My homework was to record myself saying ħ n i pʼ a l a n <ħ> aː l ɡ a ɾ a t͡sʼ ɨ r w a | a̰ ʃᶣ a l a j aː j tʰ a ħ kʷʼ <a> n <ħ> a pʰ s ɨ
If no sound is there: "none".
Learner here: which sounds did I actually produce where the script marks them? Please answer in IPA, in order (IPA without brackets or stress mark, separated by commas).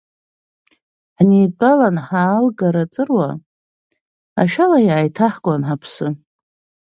ħ, a, ħ